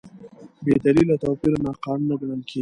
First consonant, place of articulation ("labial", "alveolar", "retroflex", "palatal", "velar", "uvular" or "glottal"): labial